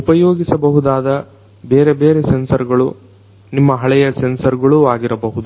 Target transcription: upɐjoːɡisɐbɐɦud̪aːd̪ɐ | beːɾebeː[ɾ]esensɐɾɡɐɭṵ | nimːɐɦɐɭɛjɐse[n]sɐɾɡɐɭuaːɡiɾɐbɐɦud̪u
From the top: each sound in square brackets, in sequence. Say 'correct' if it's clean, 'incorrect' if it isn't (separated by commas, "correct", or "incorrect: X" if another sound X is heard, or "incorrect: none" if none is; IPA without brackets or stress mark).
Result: correct, correct